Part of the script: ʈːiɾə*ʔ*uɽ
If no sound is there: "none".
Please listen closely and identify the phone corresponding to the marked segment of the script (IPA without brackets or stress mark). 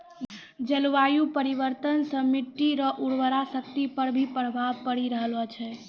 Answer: ʔ